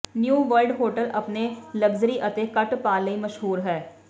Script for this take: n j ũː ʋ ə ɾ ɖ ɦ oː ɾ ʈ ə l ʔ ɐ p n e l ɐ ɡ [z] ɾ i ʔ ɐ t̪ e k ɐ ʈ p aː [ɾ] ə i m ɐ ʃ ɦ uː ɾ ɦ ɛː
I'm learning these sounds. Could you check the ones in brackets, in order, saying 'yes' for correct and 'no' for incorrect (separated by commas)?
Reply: yes, no